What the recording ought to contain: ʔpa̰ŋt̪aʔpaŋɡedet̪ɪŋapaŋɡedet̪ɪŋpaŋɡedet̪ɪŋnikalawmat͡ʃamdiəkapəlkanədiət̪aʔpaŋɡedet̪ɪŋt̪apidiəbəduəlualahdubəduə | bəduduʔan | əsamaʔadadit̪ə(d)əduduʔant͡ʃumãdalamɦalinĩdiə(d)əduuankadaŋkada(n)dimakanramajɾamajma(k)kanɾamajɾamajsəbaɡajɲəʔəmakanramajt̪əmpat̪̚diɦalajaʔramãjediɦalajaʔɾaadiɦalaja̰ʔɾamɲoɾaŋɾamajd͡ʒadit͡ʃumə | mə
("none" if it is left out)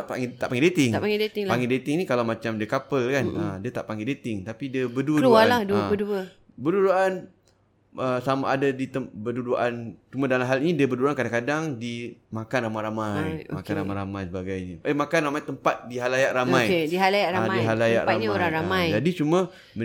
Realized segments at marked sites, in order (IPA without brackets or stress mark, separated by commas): b, b, ŋ, k